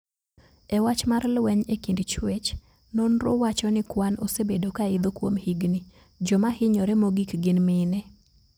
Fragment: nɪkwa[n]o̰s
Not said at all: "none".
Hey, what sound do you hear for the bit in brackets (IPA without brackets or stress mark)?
n